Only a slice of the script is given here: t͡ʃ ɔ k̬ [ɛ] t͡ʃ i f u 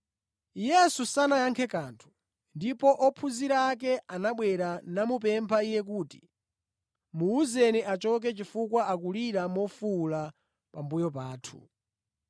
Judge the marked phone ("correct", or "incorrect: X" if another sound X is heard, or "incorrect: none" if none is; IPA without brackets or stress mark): correct